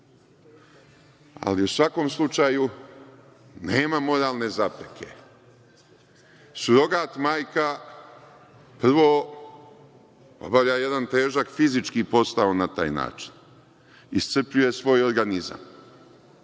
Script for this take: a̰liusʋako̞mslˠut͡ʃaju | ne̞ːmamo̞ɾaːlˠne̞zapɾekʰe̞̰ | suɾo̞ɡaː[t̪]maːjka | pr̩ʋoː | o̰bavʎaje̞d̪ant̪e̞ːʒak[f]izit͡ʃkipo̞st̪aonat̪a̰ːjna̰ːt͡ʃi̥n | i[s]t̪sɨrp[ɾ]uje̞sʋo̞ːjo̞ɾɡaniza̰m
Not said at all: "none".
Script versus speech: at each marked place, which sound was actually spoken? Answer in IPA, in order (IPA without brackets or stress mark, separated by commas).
t̪, f, s, ʎ